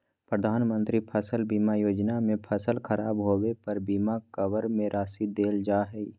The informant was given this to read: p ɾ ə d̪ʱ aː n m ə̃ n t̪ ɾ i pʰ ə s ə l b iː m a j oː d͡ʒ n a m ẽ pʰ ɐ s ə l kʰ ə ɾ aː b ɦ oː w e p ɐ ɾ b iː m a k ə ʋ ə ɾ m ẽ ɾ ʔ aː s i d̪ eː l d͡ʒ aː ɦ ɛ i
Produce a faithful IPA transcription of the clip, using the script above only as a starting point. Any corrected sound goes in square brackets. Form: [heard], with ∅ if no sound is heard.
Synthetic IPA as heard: p ɾ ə d̪ʱ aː n m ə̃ n t̪ ɾ i pʰ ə s ə l b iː m a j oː d͡ʒ n a m ẽ pʰ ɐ s ə l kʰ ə ɾ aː b ɦ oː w e p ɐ ɾ b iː m a k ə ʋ ə ɾ m ẽ ɾ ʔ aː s i d̪ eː l d͡ʒ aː ɦ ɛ i